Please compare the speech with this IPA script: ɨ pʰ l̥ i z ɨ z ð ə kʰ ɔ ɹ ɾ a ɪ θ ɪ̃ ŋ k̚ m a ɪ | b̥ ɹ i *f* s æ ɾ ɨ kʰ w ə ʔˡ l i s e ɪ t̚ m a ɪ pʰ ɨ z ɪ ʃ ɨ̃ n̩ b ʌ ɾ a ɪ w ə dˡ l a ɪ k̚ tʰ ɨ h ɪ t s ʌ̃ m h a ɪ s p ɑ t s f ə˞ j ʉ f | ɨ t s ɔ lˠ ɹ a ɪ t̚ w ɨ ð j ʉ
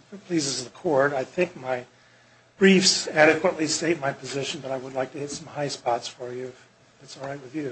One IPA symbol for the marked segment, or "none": f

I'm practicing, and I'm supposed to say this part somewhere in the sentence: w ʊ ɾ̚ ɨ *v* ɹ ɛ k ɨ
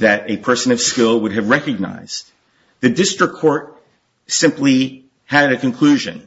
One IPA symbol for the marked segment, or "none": v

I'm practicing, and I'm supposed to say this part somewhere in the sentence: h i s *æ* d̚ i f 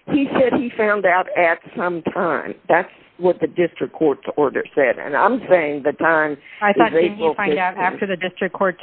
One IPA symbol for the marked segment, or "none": ɛ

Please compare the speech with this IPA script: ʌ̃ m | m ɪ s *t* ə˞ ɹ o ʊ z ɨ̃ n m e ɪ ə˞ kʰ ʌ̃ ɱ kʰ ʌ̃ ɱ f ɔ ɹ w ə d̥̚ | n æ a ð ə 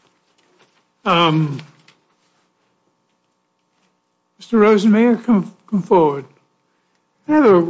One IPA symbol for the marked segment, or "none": t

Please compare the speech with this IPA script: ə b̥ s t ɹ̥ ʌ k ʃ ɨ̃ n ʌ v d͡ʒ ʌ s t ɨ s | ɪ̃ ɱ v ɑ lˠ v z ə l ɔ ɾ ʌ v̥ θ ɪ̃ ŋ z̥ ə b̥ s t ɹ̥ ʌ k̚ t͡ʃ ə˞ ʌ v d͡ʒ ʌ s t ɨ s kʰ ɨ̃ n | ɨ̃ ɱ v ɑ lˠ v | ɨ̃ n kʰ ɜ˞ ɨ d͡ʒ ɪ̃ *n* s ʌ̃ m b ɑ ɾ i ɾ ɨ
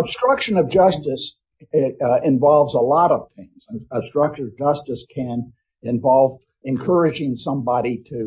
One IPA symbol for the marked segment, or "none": ŋ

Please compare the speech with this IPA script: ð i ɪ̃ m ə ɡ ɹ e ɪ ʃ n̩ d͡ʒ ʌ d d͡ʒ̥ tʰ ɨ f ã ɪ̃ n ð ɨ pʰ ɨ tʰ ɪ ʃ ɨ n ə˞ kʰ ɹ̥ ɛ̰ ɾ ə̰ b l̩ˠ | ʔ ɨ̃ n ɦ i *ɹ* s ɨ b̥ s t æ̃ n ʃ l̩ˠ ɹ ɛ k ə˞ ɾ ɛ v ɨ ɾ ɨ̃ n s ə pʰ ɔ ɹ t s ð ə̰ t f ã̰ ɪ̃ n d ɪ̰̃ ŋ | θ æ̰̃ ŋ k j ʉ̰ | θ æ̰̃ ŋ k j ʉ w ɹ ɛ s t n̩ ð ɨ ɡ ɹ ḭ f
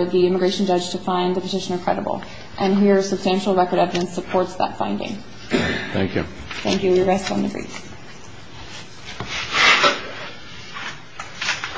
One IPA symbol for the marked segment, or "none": ɹ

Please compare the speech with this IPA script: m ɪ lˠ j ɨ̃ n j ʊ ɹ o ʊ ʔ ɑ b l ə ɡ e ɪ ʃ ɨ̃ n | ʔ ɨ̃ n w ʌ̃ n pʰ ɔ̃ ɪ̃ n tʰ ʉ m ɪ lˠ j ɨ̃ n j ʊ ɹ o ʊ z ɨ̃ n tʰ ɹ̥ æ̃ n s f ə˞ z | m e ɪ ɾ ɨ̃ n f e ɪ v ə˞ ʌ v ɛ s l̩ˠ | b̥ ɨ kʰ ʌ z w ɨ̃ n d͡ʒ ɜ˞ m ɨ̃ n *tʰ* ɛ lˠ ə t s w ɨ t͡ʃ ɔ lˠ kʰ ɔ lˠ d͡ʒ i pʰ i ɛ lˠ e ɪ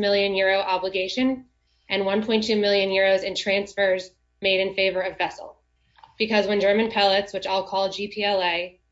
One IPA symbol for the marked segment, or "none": pʰ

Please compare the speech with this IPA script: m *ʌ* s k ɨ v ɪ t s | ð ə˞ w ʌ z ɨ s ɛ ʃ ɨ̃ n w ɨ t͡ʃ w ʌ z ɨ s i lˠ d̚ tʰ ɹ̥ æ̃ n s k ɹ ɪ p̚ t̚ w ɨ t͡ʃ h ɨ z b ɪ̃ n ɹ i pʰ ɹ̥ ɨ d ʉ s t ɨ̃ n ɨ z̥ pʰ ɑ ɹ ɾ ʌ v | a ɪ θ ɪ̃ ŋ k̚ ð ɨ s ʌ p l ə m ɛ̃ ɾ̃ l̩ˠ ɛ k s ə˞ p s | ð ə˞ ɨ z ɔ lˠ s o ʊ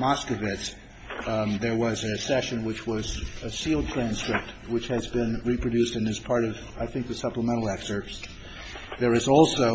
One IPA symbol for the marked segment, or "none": ɑ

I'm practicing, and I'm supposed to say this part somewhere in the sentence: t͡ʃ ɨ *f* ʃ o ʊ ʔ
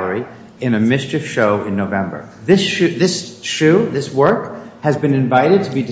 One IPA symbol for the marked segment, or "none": f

